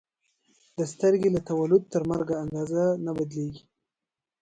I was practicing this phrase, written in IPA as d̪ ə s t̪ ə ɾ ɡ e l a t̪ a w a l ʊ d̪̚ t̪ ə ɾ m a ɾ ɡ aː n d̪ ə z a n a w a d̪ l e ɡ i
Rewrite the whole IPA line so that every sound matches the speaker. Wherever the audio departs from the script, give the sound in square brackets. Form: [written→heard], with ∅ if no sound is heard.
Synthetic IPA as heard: d̪ ə s t̪ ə ɾ ɡ e l a t̪ a w a l ʊ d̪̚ t̪ ə ɾ m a ɾ ɡ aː n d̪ [ə→ɑ] z a n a [w→b] a d̪ l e ɡ i

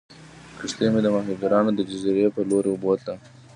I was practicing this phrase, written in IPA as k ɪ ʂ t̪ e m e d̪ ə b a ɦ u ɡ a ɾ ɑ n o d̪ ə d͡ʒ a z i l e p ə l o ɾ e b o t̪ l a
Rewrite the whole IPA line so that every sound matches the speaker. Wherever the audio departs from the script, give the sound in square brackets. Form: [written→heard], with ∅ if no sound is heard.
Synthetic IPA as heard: k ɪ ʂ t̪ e m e d̪ ə [b→m] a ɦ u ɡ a ɾ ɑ n o d̪ ə d͡ʒ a z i [l→ɾ] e p ə l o ɾ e b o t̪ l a

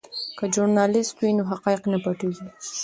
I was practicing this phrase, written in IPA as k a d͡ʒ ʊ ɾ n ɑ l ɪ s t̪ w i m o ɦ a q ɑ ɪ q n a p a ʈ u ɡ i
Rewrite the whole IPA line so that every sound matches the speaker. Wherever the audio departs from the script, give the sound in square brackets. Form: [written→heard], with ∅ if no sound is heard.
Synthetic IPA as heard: k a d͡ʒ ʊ ɾ n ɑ l ɪ s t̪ w i [m→n] o ɦ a q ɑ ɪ q n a p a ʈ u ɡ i

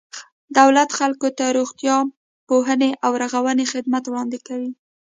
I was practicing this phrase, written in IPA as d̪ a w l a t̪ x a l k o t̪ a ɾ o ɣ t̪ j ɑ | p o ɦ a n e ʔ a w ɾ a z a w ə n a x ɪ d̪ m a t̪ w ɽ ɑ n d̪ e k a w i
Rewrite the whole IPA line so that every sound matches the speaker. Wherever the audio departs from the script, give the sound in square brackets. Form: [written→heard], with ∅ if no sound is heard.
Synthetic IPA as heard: d̪ a w l a t̪ x a l k o t̪ a ɾ o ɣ t̪ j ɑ | p o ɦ [a→ə] n e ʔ a w ɾ a [z→ɣ] a w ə n [a→e] x ɪ d̪ m a t̪ w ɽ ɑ n d̪ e k a w i

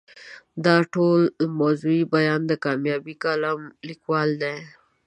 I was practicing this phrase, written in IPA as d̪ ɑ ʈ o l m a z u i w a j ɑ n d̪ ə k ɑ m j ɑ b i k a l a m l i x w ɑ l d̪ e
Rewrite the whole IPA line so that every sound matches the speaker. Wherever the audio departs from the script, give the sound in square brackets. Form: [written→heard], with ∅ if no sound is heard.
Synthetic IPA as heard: d̪ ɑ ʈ o l m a z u i [w→b] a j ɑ n d̪ ə k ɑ m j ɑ b i k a l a m l i [x→k] w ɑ l d̪ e

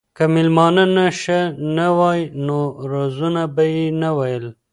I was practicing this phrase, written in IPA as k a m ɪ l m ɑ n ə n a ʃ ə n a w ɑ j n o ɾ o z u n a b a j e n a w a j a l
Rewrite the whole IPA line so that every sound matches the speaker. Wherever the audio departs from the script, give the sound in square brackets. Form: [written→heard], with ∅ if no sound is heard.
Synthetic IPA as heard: k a m ɪ l m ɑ n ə n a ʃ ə n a w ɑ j n o ɾ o z u n a b a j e n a w a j [a→ə] l

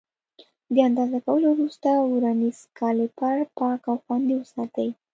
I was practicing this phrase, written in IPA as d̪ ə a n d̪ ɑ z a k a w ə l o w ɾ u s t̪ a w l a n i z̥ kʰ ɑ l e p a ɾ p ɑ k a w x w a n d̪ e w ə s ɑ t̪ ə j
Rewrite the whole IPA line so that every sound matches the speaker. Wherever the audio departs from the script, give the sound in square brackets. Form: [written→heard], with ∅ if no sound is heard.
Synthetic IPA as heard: d̪ ə a n d̪ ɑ z a k a w ə l o w ɾ u s t̪ a w [l→ɾ] a n i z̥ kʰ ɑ l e p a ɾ p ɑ k a w x w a n d̪ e w ə s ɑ t̪ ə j

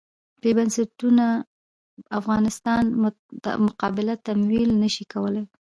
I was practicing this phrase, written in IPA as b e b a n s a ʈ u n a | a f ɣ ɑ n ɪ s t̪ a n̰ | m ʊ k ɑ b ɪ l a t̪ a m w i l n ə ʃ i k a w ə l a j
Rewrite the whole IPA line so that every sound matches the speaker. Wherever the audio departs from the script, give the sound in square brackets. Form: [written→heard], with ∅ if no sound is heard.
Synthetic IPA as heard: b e b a n s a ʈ u n a | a f ɣ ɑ n ɪ s t̪ [a→ɑ] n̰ | m ʊ [k→q] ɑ b ɪ l a t̪ a m w i l n ə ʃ i k a w ə l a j

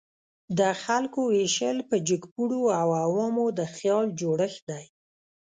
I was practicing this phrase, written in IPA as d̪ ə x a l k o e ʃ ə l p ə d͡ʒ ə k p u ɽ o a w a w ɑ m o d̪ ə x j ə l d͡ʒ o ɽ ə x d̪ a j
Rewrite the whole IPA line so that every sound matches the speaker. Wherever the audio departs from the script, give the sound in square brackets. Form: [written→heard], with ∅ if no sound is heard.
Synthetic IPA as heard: d̪ ə x a l k o e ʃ ə l p ə d͡ʒ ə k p u ɽ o a w a w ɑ m o d̪ ə x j [ə→ɑ] l d͡ʒ o ɽ ə x d̪ a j

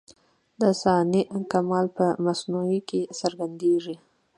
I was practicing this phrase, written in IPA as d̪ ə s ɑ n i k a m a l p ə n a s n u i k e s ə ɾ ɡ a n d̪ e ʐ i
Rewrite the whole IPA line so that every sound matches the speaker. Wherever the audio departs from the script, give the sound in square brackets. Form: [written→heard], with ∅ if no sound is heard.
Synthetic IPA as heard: d̪ ə s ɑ n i k a m [a→ɑ] l p ə [n→m] a s n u i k e s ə ɾ ɡ a n d̪ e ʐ i

